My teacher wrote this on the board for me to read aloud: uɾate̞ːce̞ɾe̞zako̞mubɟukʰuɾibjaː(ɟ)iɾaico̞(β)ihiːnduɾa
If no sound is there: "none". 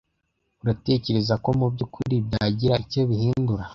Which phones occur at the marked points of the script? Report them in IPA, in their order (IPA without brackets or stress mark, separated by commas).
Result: ɟ, β